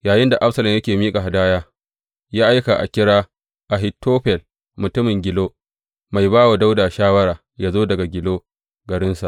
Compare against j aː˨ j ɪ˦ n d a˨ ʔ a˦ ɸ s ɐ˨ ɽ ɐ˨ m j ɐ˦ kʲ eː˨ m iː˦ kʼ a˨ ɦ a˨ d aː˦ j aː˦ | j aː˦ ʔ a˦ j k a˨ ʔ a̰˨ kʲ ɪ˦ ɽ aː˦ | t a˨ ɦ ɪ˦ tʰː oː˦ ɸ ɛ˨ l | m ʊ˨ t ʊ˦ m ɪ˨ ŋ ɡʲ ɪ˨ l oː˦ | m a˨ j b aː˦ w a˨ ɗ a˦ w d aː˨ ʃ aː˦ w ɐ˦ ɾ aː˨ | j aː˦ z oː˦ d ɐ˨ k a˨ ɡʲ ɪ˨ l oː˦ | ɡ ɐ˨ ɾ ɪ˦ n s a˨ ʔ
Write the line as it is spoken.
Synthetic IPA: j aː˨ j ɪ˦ n d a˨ ʔ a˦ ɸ s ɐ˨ l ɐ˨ m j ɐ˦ kʲ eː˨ m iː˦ kʼ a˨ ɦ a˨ d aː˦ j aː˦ | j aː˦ ʔ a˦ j k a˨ ʔ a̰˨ kʲ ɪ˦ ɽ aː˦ | ʔ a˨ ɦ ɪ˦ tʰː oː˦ ɸ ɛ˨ l | m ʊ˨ t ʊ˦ m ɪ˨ ŋ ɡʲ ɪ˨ l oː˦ | m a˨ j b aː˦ w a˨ d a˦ w d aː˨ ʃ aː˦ w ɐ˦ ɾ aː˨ | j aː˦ z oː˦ d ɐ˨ ɡ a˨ ɡʲ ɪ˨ l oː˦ | ɡ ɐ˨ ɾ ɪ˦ n s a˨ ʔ

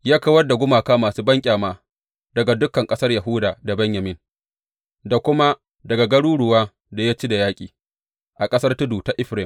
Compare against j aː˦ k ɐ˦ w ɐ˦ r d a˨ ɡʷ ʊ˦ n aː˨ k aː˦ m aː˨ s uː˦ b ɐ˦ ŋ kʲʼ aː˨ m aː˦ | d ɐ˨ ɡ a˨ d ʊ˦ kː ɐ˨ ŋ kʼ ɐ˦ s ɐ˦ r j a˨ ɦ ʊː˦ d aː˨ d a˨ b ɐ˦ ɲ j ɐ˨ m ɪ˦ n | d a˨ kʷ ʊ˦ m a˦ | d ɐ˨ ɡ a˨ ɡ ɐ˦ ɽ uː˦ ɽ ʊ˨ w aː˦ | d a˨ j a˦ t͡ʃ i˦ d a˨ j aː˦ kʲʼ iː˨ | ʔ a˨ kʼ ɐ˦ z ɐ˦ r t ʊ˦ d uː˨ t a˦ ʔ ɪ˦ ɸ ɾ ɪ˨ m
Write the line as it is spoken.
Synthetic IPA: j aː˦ k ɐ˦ w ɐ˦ r d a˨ ɡʷ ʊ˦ m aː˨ k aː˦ m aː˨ s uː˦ b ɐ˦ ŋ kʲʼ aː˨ m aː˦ | d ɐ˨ ɡ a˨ d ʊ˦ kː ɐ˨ ŋ kʼ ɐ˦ s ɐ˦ r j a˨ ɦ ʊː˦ d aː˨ d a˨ b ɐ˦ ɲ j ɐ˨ m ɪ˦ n | d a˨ kʷ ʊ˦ m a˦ | d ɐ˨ ɡ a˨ ɡ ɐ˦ ɽ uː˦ ɽ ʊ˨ w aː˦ | d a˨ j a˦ t͡ʃ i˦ d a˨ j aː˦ kʲʼ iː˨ | ʔ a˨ kʼ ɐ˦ s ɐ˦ r t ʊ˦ d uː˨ t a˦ ʔ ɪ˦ ɸ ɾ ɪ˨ m

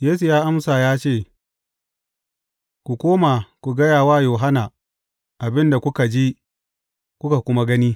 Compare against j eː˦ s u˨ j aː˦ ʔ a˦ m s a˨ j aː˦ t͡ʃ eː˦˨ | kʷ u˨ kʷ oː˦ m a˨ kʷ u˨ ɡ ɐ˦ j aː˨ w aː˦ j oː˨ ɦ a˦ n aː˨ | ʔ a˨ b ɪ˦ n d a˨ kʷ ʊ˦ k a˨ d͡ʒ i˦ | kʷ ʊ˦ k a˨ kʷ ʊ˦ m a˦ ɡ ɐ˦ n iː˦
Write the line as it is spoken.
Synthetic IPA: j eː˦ s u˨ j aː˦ ʔ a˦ m s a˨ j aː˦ t͡ʃ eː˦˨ | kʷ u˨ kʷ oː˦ m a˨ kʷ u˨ ɡ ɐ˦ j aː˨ w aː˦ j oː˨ ɦ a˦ n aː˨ | ʔ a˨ b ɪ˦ n d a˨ kʷ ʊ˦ k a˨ d͡ʒ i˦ | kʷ ʊ˦ k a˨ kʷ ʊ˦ m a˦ ɡ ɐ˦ n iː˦

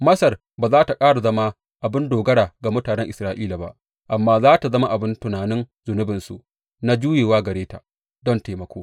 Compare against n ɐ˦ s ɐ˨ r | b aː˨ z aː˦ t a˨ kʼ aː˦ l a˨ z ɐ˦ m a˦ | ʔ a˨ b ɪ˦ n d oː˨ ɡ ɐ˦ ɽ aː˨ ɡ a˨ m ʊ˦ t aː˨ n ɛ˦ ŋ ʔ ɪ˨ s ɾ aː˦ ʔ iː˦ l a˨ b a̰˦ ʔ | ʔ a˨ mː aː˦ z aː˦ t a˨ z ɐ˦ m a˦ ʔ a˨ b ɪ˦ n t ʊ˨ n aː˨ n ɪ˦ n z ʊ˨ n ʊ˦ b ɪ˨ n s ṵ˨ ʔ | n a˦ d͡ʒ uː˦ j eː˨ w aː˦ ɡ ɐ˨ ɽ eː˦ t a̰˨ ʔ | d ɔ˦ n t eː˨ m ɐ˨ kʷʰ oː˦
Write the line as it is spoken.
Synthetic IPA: m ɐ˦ s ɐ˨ r | b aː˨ z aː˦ t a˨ kʼ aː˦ ɽ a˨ z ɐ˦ m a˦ | ʔ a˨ b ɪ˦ n d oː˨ ɡ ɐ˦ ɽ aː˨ ɡ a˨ m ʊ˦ t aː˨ n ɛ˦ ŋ ʔ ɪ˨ s ɾ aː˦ ʔ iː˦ l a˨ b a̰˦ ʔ | ʔ a˨ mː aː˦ z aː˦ t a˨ z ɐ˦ m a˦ ʔ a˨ b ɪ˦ n t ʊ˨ n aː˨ n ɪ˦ n z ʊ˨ n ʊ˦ b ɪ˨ n s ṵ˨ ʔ | n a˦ d͡ʒ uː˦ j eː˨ w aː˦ ɡ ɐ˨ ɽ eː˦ t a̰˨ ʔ | d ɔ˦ n t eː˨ m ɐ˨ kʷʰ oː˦

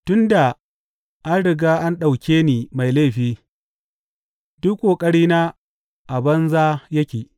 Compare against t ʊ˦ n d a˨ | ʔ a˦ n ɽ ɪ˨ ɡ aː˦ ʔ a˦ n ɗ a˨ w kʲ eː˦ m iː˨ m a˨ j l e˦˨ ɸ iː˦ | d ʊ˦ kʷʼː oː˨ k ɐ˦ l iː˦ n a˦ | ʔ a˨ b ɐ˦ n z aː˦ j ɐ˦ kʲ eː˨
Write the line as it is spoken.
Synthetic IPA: t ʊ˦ n d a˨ | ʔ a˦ n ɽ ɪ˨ ɡ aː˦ ʔ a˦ n ɗ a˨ w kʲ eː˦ n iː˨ m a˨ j l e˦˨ ɸ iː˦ | d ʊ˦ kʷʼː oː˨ kʼ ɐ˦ ɽ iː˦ n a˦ | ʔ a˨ b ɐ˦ n z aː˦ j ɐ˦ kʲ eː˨

